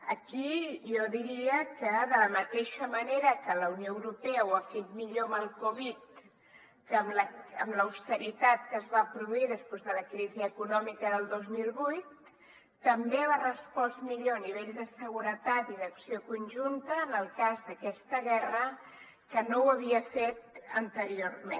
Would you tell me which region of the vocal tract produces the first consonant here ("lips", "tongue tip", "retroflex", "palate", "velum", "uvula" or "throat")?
velum